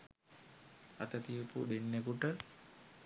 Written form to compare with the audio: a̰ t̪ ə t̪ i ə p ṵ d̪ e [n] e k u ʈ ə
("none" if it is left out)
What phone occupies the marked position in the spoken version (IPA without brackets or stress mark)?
nː